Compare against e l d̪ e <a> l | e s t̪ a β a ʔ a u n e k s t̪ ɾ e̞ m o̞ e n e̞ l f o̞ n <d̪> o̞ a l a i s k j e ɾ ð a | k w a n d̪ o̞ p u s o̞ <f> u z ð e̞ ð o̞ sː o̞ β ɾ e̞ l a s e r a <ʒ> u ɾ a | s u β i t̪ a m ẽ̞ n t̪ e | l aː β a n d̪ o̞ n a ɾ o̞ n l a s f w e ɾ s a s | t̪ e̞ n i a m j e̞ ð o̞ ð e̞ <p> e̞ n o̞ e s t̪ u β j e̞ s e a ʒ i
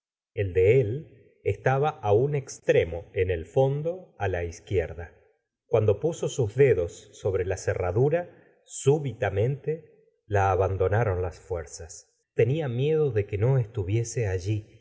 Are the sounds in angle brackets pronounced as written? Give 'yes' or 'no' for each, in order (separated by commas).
no, yes, no, no, no